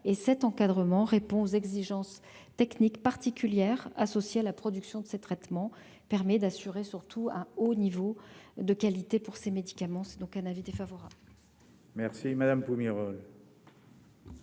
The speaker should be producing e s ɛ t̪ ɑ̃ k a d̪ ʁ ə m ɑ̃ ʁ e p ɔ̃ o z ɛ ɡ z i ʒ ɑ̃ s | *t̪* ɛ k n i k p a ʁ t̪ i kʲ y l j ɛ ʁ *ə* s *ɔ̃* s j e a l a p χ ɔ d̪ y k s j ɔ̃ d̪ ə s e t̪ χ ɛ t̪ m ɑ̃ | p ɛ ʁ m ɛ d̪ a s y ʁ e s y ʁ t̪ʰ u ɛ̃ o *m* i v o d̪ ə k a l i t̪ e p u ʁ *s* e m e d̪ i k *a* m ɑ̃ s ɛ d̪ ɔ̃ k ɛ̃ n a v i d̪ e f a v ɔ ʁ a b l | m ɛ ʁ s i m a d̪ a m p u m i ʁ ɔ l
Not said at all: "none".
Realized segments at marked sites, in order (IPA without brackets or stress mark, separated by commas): t̪, a, ɔ, n, s, a